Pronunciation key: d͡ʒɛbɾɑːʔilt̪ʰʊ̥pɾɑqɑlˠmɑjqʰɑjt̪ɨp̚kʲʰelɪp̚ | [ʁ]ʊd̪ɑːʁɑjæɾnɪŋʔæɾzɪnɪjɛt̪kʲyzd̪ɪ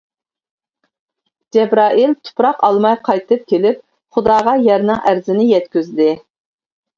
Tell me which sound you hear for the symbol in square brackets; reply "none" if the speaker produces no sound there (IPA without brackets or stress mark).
χ